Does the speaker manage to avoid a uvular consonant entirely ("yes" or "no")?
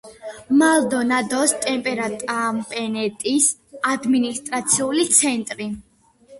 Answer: yes